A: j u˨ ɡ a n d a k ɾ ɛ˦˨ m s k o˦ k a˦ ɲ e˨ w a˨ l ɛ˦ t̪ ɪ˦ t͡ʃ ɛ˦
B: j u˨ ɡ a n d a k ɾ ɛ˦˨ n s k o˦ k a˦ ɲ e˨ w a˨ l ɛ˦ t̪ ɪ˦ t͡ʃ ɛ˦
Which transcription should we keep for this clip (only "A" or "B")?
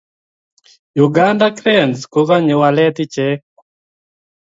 B